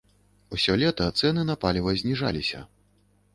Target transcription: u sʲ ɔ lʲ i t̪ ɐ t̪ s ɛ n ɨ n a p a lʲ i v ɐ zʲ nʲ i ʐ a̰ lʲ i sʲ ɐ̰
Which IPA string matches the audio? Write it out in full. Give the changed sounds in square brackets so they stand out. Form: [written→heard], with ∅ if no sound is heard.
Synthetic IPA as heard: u sʲ ɔ lʲ [i→ɛ] t̪ ɐ t̪ s ɛ n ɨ n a p a lʲ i v ɐ zʲ nʲ i ʐ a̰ lʲ i sʲ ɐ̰